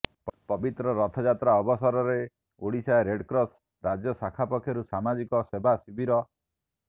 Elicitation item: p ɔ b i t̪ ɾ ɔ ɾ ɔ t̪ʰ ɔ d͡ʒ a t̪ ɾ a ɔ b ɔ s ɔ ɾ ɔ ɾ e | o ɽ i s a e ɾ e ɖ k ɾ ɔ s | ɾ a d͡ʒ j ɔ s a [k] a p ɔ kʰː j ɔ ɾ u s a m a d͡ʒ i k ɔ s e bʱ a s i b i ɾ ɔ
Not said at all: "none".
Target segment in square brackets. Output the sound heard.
kʰ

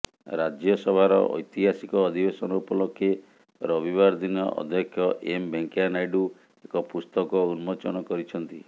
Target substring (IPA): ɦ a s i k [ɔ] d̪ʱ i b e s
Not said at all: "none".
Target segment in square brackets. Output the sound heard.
ɔː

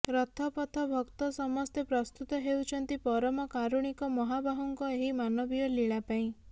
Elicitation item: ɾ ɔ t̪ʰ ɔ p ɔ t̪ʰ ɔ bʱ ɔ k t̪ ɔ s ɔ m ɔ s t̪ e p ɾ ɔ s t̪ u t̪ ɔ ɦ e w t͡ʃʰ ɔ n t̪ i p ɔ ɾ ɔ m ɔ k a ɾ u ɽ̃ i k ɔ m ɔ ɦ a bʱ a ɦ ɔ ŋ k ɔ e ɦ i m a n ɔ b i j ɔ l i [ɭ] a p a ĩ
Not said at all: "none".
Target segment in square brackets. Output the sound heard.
ɭ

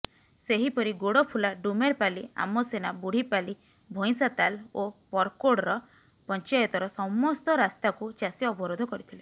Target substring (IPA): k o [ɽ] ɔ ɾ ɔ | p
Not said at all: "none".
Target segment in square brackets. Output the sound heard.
ɽ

